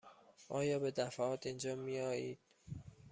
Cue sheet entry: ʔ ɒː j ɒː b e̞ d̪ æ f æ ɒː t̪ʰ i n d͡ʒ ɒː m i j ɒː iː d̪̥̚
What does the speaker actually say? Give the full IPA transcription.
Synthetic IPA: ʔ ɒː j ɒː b e̞ d̪ æ f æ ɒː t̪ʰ i n d͡ʒ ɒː m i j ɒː iː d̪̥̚